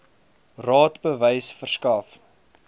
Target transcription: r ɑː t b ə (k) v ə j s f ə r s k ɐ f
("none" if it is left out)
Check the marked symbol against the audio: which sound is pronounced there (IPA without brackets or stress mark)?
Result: none